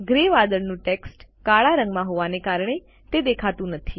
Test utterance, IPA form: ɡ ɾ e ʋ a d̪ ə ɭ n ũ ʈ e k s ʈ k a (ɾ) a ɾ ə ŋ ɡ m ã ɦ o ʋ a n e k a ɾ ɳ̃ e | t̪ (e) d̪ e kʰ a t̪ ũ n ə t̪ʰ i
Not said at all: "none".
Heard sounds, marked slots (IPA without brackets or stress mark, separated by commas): ɭ, e